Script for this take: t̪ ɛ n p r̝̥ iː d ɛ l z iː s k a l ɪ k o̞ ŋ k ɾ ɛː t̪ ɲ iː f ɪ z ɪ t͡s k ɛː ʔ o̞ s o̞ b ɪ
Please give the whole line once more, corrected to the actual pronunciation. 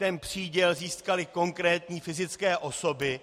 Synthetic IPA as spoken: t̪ ɛ n p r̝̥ iː ɟ ɛ l z iː s k a l ɪ k o̞ ŋ k ɾ ɛː t̪ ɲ iː f ɪ z ɪ t͡s k ɛː ʔ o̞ s o̞ b ɪ